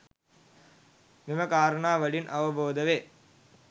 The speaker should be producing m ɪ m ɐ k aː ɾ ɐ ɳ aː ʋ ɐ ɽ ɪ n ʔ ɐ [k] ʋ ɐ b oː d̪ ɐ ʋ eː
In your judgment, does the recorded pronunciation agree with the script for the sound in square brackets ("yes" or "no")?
no